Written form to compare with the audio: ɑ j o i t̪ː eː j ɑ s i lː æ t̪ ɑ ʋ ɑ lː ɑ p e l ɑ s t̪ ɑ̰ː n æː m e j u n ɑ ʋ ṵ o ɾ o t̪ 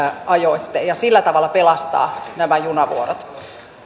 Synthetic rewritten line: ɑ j o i t̪ː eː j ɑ s i lː æ t̪ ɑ ʋ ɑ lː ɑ p e l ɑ s t̪ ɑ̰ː n æ m æ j u n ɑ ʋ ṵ o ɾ o t̪